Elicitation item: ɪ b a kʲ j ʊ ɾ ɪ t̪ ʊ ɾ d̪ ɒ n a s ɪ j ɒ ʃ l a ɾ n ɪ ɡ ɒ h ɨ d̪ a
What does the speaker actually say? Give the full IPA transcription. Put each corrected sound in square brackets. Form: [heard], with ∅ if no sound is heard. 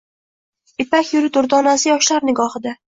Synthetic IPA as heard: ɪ [p] a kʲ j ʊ ɾ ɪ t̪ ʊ ɾ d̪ ɒ n a s ɪ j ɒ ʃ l a ɾ n ɪ ɡ ɒ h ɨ d̪ a